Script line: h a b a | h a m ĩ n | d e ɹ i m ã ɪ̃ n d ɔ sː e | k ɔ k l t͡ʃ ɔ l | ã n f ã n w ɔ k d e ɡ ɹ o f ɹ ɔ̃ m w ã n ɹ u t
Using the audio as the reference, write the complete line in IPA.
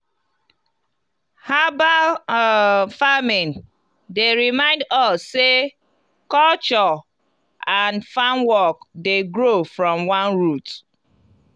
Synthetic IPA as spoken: h a b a | f a m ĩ n | d e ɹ i m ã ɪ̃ n d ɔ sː e | k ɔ l t͡ʃ ɔ | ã n f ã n w ɔ k d e ɡ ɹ o f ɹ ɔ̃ m w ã n ɹ u t